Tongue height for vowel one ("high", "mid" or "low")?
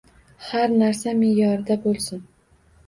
low